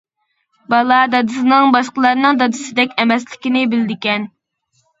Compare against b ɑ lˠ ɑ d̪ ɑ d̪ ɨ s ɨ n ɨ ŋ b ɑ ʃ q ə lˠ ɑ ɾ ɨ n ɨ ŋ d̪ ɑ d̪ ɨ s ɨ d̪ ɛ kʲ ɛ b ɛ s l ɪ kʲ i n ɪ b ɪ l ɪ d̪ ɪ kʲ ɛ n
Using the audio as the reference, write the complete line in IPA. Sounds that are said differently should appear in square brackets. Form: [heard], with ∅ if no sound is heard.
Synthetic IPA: b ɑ lˠ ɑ d̪ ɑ d̪ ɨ s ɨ n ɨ ŋ b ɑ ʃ q ə lˠ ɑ ɾ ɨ n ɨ ŋ d̪ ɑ d̪ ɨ s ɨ d̪ ɛ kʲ ɛ [m] ɛ s l ɪ kʲ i n ɪ b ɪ l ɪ d̪ ɪ kʲ ɛ n